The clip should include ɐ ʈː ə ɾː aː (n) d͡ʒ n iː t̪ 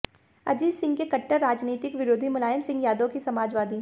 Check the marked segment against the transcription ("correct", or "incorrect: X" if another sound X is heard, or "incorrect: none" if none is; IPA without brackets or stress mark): incorrect: none